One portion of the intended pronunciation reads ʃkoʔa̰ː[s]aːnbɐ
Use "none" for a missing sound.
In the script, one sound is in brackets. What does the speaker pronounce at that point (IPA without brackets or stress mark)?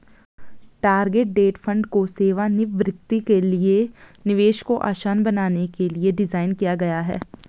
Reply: ʃ